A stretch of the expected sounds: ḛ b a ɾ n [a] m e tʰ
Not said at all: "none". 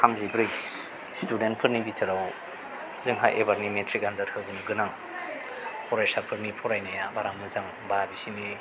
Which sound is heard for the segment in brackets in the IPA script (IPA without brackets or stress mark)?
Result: i